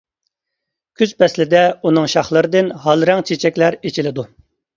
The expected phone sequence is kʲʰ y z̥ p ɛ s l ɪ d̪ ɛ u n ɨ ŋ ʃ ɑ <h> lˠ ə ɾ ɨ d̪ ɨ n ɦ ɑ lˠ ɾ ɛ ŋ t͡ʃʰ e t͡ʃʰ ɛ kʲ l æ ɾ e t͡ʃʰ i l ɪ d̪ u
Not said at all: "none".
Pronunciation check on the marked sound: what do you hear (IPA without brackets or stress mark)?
χ